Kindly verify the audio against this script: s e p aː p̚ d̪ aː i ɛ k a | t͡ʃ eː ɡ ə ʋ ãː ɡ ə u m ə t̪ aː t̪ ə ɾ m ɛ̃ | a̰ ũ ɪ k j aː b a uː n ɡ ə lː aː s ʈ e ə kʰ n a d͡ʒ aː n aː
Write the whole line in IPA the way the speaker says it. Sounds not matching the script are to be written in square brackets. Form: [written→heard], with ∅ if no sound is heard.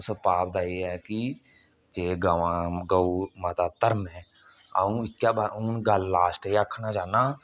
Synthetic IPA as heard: s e p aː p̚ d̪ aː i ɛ k [a→i] | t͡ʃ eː ɡ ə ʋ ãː ɡ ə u m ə t̪ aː t̪ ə ɾ m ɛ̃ | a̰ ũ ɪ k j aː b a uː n ɡ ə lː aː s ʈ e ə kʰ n a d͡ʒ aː n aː